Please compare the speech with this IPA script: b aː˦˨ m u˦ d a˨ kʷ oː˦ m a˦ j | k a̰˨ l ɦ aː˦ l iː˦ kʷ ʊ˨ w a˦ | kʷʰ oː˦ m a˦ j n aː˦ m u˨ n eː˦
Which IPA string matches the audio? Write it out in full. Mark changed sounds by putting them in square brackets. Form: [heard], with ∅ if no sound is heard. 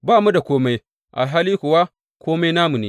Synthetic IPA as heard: b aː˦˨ m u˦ d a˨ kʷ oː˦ m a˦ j | [ʔ] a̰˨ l ɦ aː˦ l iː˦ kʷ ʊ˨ w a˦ | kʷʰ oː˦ m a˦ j n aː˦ m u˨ n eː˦